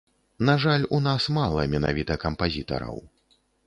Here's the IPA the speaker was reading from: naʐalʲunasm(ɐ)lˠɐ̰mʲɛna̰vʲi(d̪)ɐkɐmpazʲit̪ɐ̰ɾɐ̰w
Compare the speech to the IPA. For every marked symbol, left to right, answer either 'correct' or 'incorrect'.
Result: incorrect, incorrect

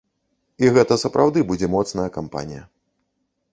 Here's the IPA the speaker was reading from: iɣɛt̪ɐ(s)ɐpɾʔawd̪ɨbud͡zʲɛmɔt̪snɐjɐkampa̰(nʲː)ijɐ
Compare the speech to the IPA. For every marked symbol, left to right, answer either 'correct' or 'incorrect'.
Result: correct, incorrect

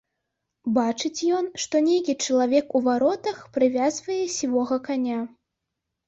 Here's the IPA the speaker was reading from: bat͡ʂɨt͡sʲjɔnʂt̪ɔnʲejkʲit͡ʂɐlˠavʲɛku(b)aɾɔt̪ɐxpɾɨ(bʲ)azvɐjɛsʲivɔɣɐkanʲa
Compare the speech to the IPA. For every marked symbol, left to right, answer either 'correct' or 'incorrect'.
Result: incorrect, incorrect

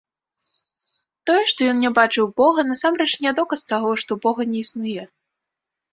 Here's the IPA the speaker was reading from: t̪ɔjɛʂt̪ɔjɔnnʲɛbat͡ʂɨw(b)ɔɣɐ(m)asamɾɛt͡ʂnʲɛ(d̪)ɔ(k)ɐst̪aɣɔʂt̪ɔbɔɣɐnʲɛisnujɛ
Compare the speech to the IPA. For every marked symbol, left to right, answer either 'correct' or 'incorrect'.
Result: correct, incorrect, correct, correct

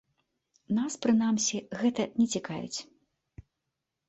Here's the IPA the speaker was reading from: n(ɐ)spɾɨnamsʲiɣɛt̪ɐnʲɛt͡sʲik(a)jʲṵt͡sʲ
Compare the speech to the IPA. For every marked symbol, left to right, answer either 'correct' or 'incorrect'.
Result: incorrect, correct

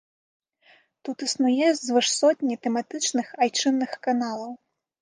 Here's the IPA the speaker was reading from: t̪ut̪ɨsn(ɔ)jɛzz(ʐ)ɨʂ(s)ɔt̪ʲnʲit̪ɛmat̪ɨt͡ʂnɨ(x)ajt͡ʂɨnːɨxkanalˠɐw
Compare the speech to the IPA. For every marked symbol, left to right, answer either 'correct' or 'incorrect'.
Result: incorrect, incorrect, correct, correct

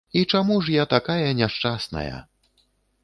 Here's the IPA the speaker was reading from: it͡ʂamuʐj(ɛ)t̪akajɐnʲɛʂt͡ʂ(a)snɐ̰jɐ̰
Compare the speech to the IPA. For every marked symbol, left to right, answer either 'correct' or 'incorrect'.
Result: incorrect, correct

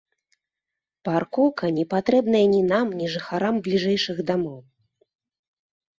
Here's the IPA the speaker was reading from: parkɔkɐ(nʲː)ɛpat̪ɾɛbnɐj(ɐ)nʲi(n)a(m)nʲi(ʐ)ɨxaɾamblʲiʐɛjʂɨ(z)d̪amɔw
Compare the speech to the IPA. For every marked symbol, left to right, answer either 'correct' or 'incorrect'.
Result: incorrect, correct, correct, correct, correct, incorrect

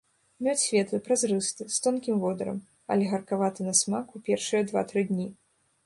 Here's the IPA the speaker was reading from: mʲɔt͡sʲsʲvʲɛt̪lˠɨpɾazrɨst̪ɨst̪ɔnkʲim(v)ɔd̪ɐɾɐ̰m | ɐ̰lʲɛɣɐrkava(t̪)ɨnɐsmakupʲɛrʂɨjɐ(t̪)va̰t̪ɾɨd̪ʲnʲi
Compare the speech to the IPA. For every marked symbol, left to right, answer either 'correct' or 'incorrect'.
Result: correct, correct, incorrect

